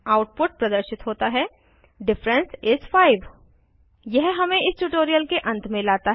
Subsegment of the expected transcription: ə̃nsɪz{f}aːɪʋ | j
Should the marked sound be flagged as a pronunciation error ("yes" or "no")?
no